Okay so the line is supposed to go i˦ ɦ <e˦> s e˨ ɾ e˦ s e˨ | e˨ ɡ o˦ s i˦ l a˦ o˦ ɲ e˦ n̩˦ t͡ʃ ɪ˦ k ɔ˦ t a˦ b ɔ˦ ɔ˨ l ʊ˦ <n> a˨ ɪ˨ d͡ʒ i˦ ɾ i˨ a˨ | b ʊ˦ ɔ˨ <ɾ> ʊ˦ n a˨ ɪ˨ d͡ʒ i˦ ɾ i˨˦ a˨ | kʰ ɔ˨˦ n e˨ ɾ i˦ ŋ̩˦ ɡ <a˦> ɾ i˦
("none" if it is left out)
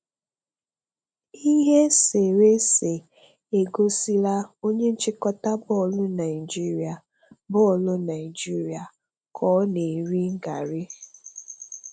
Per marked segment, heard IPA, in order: e˦, n, l, a˨

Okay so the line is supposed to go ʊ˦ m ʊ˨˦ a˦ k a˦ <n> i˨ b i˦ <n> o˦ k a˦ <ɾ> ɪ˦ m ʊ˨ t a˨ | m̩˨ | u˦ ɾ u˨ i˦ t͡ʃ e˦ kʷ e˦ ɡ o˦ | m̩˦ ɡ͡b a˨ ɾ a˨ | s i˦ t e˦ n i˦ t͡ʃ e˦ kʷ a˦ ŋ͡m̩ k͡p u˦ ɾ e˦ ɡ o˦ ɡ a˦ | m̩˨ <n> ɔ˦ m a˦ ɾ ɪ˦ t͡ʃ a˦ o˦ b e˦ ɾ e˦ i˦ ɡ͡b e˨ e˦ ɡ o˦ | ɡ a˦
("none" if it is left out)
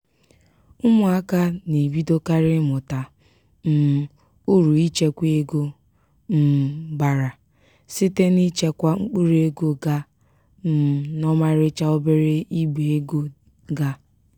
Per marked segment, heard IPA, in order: n, d, ɾ, n

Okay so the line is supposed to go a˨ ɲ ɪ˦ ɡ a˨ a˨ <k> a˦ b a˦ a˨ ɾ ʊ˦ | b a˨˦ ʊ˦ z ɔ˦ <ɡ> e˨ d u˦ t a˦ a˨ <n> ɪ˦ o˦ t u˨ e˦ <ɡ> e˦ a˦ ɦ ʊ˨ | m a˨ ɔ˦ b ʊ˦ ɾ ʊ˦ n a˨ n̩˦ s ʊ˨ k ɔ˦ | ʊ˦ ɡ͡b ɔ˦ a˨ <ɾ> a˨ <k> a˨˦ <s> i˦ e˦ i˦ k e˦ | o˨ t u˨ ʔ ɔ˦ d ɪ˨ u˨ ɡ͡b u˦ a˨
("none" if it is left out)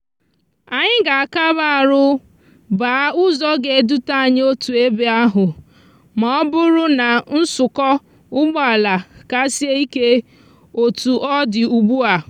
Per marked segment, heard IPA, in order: k, ɡ, ɲ, b, l, k, s

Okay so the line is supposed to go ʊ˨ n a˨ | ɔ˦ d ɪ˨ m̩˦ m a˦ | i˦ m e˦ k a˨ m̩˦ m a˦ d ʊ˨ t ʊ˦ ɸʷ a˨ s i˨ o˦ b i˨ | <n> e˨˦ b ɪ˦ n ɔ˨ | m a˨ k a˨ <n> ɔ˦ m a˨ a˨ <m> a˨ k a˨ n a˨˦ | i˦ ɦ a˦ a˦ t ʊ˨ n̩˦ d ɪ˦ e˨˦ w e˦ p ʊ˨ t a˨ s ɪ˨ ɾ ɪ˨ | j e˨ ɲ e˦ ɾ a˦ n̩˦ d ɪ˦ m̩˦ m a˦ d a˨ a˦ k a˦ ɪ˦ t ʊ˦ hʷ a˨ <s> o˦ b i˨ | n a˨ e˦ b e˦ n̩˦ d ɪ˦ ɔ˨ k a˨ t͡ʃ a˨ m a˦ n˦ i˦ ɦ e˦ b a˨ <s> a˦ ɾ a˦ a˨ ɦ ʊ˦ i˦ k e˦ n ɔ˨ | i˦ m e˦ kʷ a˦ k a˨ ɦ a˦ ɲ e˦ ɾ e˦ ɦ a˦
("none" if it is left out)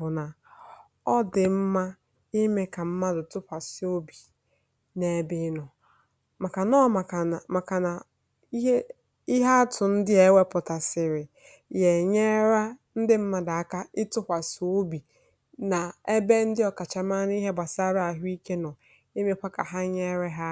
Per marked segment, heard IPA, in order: n, n, m, s, s

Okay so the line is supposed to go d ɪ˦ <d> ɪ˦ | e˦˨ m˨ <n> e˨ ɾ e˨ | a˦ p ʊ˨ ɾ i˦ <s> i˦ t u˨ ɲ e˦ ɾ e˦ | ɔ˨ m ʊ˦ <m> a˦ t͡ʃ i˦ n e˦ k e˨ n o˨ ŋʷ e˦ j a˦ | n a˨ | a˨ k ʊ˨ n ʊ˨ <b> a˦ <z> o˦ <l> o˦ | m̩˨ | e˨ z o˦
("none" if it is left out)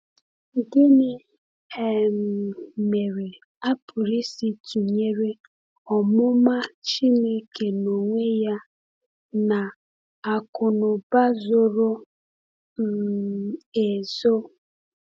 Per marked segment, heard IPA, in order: n, m, s, m, b, z, ɾ

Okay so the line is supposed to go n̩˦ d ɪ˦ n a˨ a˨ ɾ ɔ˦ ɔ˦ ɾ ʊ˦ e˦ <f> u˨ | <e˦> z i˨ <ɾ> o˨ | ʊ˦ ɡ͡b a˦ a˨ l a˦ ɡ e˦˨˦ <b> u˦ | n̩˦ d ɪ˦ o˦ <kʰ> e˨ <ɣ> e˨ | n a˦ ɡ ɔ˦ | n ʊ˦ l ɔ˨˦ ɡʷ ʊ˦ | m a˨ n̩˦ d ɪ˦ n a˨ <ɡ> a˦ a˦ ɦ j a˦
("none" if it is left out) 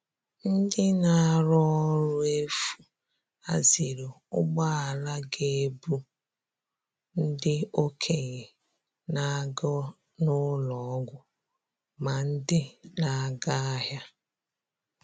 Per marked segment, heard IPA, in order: f, a˦, ɾ, b, kʰ, ɣ, ɡ

